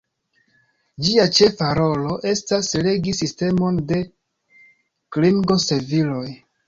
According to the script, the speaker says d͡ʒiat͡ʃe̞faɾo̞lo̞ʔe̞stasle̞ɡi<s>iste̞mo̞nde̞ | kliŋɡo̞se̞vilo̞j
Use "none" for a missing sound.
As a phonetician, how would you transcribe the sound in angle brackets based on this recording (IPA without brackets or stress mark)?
s